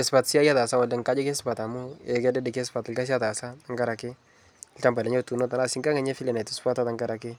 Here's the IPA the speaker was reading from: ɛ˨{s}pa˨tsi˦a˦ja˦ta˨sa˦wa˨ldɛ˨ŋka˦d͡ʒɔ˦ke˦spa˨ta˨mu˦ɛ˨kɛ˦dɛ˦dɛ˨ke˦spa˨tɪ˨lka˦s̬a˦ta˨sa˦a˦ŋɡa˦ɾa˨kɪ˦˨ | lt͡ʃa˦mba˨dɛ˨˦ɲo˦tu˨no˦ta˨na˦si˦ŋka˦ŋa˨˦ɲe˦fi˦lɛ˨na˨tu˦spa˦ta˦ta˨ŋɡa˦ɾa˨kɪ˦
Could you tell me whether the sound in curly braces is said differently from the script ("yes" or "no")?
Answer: no